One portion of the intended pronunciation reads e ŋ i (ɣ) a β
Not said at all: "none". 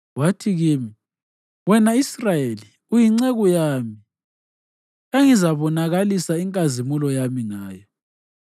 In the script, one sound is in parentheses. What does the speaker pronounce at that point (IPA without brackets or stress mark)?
z